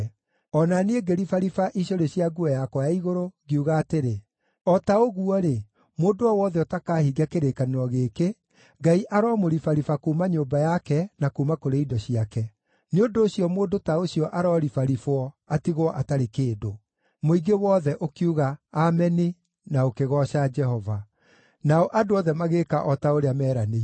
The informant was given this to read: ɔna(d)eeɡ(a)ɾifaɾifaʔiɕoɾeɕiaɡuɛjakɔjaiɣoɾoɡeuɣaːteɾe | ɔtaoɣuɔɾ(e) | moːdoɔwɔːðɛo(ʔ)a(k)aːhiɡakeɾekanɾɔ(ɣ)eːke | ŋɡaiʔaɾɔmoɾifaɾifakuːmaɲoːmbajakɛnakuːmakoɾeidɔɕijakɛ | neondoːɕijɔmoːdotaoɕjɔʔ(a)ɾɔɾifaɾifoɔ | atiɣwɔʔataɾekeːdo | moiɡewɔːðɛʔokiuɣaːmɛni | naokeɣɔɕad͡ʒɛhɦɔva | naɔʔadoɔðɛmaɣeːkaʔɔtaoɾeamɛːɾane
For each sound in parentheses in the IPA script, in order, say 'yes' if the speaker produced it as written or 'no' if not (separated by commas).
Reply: no, no, yes, no, yes, yes, yes